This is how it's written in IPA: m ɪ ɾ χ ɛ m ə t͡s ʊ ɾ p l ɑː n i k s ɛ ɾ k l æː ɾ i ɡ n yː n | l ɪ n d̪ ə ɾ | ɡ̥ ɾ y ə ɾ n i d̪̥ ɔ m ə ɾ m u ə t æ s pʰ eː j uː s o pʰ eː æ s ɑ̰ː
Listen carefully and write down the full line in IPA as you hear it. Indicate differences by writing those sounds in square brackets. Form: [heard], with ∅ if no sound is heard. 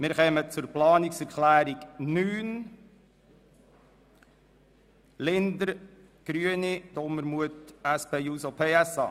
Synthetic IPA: m ɪ ɾ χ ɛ m ə t͡s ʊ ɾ p l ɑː n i k s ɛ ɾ k l æː ɾ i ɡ n yː n | l ɪ n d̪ ə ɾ | ɡ̥ ɾ y ə [∅] n i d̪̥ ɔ m ə ɾ m u ə t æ s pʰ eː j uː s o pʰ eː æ s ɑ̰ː

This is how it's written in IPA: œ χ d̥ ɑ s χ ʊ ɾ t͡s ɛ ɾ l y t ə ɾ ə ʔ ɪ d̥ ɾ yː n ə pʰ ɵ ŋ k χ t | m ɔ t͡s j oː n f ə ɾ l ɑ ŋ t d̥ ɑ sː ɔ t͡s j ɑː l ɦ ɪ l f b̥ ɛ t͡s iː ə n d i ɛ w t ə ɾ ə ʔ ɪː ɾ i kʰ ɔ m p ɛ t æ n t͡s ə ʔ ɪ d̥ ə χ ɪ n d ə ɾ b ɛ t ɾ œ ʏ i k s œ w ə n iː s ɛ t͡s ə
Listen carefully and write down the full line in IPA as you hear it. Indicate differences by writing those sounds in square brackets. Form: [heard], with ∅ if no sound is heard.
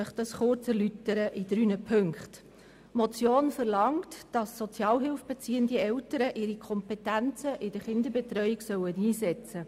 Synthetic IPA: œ χ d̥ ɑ s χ ʊ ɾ t͡s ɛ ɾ l y t ə ɾ ə ʔ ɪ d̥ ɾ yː n ə pʰ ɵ ŋ k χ t | m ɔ t͡s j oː n f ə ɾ l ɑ ŋ t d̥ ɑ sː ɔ t͡s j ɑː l ɦ ɪ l f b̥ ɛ t͡s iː ə n d i ɛ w t ə ɾ ə ʔ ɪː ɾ i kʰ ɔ m p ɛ t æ n t͡s ə ʔ ɪ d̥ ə χ ɪ n d ə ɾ b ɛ t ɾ œ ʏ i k s œ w ə n iː s ɛ t͡s ə

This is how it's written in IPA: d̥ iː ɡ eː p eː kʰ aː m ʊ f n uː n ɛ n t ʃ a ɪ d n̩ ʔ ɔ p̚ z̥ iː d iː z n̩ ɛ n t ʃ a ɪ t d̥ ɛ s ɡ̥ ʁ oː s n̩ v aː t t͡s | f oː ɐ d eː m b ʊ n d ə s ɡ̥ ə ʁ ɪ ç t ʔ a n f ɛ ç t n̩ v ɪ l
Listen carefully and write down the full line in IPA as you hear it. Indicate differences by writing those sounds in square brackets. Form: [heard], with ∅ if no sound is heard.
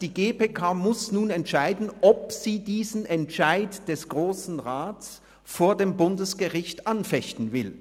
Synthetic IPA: d̥ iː ɡ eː p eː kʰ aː m ʊ [s] n uː n ɛ n t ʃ a ɪ d n̩ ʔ ɔ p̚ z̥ iː d iː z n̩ ɛ n t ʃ a ɪ t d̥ ɛ s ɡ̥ ʁ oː s n̩ [ʁ] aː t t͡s | f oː ɐ d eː m b ʊ n d ə s ɡ̥ ə ʁ ɪ ç t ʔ a n f ɛ ç t n̩ v ɪ l

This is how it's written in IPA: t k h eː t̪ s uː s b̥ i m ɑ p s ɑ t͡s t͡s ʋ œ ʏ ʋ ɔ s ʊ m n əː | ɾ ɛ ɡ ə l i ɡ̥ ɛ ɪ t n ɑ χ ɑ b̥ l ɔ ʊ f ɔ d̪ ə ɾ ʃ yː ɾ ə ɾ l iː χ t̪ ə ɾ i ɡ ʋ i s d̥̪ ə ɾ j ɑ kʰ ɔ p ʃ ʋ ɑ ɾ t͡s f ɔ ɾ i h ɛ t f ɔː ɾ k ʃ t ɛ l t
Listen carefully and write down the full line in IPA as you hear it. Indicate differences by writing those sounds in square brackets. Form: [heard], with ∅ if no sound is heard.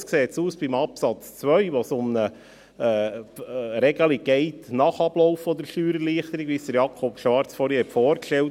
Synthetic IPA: [s] k [s] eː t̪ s uː s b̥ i m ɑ p s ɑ t͡s t͡s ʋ œ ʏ ʋ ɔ s ʊ m n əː | ɾ ɛ ɡ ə l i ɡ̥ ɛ ɪ t n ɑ χ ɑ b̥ l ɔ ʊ f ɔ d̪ ə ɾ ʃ yː ɾ ə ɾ l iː χ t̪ ə ɾ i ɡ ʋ i s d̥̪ ə ɾ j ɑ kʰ ɔ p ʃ ʋ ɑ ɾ t͡s f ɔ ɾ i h ɛ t f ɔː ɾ k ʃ t ɛ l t

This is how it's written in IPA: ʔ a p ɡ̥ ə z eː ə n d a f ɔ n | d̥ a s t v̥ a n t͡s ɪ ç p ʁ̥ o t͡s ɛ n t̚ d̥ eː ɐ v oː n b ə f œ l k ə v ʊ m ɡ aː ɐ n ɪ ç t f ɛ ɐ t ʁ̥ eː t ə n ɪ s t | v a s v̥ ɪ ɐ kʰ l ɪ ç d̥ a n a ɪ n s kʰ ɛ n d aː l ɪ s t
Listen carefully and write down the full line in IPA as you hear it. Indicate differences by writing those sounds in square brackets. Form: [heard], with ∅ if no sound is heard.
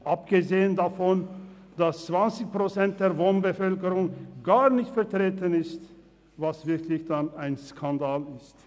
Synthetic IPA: ʔ a p ɡ̥ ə z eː ə n d a f ɔ n | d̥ a s [t͡s] v̥ a n t͡s ɪ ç p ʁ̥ o t͡s ɛ n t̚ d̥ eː ɐ v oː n b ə f œ l k ə [ʁ] ʊ [ŋ] ɡ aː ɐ n ɪ ç t f ɛ ɐ t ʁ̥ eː t ə n ɪ s t | v a s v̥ ɪ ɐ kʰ l ɪ ç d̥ a n a ɪ n s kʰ [a] n d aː l ɪ s t

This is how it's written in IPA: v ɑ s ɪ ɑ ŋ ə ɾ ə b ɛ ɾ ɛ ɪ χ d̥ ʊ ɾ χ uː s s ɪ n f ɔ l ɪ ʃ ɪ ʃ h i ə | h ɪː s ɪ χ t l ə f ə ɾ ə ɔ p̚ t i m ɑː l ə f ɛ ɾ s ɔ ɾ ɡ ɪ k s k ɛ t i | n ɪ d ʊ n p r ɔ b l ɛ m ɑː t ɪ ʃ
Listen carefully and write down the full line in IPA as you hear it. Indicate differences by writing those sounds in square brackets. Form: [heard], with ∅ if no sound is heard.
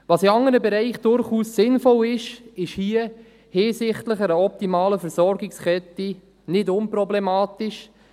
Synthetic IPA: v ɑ s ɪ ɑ ŋ ə ɾ ə b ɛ ɾ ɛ ɪ χ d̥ ʊ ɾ χ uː s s ɪ n f ɔ l ɪ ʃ ɪ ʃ h i ə | h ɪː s ɪ χ t l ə [χ] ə ɾ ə ɔ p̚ t i m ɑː l ə f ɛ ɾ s ɔ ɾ ɡ ɪ k s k ɛ t i | n ɪ d ʊ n p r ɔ b l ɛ m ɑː t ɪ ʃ

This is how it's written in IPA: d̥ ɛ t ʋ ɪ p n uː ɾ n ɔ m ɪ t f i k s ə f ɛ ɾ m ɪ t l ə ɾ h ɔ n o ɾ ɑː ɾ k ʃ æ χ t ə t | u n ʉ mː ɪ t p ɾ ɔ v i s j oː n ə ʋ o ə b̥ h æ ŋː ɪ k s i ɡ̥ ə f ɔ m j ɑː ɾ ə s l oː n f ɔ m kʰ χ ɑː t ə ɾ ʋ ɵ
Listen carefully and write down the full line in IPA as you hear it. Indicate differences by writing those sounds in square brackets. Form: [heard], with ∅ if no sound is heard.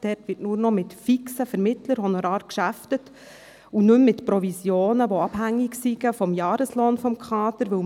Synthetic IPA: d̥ ɛ t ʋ ɪ [t] n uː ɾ n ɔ m ɪ t f i k s ə f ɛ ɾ m ɪ t l ə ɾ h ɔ n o ɾ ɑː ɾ k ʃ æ [f] t ə t | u n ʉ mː ɪ t p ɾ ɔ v i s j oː n ə ʋ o [ɑ] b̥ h æ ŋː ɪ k s i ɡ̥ ə f ɔ m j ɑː ɾ ə s l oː n f ɔ m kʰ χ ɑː t ə ɾ ʋ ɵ

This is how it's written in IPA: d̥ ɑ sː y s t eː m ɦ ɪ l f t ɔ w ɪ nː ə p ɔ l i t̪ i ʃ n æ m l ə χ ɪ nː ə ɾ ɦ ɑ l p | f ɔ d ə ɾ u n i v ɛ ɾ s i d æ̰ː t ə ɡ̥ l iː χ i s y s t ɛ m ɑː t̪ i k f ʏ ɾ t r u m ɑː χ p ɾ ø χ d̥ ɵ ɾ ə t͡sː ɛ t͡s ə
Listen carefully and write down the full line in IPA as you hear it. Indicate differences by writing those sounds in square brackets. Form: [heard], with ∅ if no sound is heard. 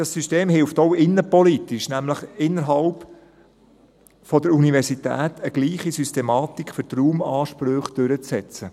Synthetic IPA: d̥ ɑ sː y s t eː m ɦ ɪ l f t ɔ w ɪ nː ə p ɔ l i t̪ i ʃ n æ m l ə χ ɪ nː ə ɾ ɦ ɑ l p | f ɔ d ə ɾ u n i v ɛ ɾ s i [t] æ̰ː t ə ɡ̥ l iː χ i s y s t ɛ m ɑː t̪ i k f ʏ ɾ t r [uː] m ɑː [ʃ] p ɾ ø χ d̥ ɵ ɾ ə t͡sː ɛ t͡s ə

